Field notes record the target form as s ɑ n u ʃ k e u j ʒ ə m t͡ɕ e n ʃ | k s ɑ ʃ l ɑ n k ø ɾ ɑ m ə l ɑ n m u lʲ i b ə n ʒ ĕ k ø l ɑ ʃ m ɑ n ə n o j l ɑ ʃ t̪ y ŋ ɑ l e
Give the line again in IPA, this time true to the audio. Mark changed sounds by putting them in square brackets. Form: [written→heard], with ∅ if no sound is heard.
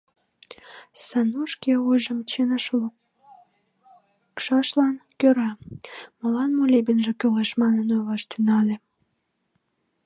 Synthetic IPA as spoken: s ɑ n u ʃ k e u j ʒ ə m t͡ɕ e n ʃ | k [s→ʃ] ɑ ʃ l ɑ n k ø ɾ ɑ m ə l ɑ n m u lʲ i b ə n ʒ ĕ k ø l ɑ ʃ m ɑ n ə n o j l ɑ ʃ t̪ y [ŋ→n] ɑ l e